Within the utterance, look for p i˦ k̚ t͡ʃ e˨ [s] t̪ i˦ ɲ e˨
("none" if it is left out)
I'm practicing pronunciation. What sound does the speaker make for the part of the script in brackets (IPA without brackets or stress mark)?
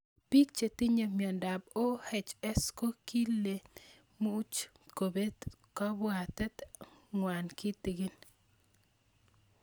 none